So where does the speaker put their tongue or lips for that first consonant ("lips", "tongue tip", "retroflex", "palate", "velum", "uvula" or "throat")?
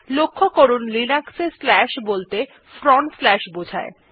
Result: tongue tip